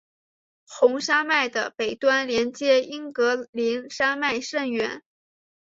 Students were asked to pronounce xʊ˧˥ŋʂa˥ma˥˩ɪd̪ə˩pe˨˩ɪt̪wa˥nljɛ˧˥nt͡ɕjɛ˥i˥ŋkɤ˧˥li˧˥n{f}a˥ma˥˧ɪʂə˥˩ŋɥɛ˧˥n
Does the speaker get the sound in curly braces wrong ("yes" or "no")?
yes